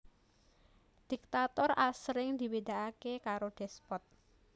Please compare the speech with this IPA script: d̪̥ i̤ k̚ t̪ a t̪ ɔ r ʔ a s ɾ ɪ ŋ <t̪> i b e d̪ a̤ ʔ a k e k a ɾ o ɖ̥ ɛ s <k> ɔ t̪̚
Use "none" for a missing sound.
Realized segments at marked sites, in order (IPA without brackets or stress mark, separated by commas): d̪, p